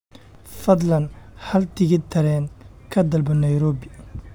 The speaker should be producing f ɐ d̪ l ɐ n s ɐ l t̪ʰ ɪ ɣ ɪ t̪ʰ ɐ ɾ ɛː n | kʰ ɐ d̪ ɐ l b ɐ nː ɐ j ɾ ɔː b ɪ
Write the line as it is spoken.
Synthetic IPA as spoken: f ɐ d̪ l ɐ n h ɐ l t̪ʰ ɪ ɣ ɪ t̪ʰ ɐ ɾ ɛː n | kʰ ɐ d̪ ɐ l b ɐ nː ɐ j ɾ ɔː b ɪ